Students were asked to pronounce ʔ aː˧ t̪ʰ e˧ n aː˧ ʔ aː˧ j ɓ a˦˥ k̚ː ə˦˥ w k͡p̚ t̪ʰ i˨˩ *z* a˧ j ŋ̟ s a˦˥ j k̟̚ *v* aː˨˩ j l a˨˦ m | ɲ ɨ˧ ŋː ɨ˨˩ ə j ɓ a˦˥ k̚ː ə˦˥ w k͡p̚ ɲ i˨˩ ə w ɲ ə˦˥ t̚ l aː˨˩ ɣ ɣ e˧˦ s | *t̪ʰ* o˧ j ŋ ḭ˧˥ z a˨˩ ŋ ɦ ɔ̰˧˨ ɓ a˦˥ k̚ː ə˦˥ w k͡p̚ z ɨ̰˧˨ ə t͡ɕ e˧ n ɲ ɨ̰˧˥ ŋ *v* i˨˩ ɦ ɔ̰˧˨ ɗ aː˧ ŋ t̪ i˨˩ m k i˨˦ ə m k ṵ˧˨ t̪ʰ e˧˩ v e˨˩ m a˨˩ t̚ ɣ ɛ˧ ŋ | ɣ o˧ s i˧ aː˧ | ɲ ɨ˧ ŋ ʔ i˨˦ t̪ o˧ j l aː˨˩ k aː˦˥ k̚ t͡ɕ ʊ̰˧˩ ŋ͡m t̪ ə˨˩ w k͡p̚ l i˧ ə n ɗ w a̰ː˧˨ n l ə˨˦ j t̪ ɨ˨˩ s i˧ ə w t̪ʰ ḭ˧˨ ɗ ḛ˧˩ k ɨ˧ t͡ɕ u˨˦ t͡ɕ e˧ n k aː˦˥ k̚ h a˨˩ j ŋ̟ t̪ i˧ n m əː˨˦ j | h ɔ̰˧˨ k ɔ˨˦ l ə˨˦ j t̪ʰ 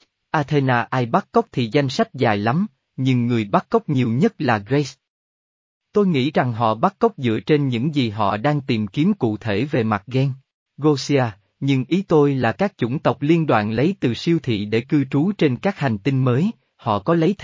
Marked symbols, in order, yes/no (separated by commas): yes, no, no, no